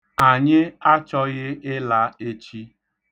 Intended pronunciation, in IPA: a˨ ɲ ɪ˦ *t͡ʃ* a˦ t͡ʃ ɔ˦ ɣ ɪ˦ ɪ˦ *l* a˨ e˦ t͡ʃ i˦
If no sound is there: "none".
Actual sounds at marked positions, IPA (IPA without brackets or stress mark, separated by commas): none, l